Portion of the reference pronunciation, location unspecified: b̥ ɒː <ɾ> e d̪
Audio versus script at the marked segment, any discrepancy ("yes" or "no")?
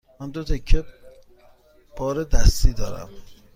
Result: no